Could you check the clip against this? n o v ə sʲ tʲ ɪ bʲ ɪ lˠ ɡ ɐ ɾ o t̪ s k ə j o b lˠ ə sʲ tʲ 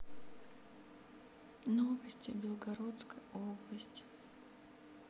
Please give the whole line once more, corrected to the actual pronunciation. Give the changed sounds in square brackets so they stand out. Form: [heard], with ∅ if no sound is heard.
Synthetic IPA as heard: n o v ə sʲ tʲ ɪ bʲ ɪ lˠ ɡ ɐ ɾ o t̪ s k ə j o b lˠ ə sʲ tʲ